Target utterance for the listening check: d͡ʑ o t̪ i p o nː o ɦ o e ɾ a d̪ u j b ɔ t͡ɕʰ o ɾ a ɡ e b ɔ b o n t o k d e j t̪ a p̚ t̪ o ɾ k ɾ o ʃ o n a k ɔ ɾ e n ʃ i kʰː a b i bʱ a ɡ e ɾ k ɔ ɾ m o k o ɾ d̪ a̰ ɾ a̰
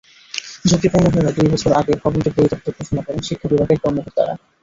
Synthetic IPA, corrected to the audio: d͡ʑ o t̪ i p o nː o ɦ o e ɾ a d̪ u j b ɔ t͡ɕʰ o ɾ a ɡ e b ɔ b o n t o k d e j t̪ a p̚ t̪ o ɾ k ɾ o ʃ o n a k ɔ ɾ e n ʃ i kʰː a b i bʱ a ɡ e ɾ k ɔ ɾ m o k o ɾ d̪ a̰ ɾ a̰